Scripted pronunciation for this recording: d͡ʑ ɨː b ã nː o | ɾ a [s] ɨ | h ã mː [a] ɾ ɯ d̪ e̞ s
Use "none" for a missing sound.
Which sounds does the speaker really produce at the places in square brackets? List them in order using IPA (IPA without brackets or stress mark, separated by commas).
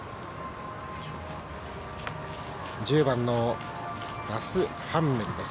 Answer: s, e